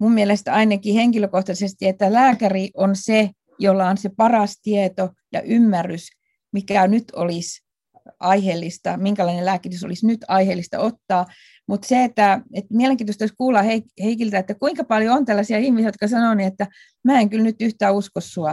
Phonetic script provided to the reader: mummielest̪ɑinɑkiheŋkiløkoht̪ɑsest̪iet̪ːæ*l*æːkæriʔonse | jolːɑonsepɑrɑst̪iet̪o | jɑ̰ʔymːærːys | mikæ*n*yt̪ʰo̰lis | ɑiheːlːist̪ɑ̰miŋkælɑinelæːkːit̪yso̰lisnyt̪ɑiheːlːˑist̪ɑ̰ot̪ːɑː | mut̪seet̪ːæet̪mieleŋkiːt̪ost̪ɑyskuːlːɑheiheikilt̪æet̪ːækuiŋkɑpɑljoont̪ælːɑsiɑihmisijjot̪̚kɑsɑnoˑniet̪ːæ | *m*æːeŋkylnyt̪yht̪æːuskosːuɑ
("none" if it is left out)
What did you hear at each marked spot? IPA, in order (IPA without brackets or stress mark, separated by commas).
l, n, m